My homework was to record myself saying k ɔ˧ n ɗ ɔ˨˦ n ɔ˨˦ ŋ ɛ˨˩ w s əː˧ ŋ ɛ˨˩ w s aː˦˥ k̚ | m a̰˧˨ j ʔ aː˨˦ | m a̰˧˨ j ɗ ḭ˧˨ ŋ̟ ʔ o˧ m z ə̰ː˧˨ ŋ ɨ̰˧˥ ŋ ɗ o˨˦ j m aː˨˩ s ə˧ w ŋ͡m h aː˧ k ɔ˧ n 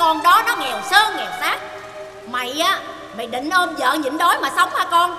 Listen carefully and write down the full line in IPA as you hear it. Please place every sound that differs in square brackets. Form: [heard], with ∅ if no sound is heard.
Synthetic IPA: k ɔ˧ n ɗ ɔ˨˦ n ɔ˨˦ ŋ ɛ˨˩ w s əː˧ ŋ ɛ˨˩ w s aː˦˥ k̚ | m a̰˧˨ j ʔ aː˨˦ | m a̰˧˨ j ɗ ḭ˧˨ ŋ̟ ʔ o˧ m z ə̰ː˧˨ [ɲ] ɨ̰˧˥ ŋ ɗ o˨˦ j m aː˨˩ s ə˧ w ŋ͡m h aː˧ k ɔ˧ n